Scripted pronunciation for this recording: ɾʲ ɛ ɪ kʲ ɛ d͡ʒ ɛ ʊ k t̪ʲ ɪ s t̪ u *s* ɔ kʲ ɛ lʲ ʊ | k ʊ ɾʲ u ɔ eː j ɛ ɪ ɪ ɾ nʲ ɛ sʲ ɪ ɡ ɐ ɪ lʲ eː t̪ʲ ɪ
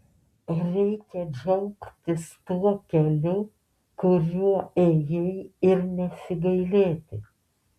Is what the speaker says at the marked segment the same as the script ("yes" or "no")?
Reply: no